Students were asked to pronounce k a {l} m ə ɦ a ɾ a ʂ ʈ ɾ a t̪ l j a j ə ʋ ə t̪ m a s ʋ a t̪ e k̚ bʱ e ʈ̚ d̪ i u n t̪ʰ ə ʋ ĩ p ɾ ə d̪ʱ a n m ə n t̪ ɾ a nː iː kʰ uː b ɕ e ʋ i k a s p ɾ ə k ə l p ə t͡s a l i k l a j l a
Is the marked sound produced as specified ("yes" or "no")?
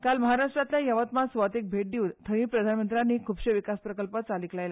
yes